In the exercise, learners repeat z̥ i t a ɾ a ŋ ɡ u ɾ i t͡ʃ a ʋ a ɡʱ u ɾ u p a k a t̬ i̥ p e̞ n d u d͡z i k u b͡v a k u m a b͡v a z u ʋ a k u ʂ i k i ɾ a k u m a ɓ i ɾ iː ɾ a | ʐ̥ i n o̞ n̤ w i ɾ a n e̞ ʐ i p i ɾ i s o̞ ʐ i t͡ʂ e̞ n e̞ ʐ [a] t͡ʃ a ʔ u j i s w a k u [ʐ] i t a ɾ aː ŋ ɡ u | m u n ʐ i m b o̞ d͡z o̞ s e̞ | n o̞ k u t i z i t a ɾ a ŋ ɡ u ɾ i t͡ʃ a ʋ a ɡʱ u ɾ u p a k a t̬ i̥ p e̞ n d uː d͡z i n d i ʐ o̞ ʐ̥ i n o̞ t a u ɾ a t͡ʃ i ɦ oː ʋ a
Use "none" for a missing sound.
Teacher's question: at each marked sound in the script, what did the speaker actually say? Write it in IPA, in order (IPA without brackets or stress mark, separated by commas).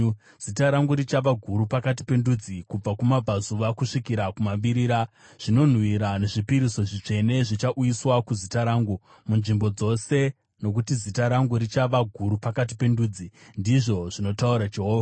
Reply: i, z